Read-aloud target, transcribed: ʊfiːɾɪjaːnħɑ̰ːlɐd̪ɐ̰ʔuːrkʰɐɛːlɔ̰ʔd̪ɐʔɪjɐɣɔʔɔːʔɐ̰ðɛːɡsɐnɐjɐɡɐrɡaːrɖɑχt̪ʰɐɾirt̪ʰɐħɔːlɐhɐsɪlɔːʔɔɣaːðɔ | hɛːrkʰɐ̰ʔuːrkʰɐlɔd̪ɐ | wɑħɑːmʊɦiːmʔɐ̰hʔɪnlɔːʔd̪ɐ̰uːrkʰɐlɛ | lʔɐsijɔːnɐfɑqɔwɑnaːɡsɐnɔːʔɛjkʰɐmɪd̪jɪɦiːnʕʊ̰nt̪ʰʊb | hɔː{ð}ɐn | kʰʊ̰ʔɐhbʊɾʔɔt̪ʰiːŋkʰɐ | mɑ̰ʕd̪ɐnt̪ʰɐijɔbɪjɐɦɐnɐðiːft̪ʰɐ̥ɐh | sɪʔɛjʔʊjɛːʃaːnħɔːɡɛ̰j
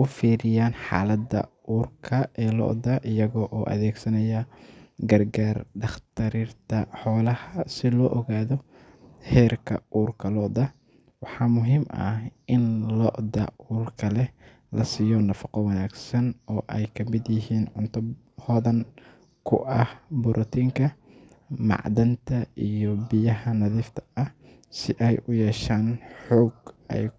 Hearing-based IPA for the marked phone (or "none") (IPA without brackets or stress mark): ð